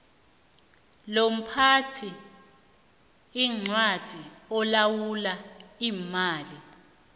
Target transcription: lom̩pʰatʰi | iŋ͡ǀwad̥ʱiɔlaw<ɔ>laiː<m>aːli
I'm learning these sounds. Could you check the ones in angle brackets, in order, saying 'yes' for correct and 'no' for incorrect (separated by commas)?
no, yes